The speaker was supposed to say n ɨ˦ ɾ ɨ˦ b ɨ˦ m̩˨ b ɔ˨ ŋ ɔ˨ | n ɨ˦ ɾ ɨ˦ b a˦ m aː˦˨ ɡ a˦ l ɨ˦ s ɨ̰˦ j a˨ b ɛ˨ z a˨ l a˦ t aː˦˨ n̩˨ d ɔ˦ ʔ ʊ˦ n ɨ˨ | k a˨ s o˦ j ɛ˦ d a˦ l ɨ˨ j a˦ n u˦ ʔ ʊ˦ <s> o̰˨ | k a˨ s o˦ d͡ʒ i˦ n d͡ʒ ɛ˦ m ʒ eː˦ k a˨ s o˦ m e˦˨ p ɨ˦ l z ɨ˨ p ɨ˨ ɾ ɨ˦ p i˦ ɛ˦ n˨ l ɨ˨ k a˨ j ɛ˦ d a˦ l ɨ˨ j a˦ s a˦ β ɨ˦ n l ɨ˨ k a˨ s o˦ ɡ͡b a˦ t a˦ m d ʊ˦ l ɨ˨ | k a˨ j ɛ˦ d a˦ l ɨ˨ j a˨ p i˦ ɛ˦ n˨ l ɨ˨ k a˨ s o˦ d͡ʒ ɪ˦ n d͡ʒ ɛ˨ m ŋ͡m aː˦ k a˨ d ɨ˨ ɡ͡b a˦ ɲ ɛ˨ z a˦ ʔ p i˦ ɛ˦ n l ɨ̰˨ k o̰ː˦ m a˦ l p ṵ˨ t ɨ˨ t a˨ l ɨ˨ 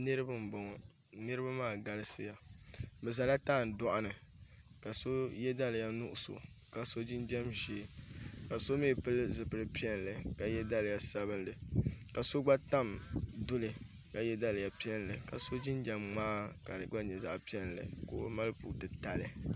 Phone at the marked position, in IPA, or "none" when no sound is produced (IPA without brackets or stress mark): s